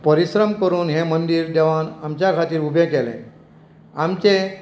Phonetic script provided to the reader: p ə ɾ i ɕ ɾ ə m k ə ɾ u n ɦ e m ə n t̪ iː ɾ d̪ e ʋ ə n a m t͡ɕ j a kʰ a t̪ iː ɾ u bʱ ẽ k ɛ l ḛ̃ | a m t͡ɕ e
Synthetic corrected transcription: p ə ɾ i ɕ ɾ ə m k ə ɾ uː n ɦ e m ə n d̪ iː ɾ d̪ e ʋ a n a m t͡ɕ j a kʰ a t̪ iː ɾ u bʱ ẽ k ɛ l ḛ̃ | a m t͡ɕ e